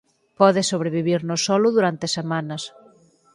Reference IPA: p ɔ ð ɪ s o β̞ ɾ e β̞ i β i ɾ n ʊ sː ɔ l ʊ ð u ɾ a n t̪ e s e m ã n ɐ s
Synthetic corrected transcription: p ɔ ð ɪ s o β̞ ɾ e β̞ i β i ɾ n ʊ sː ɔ l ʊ ð u ɾ a n t̪ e s e m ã n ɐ s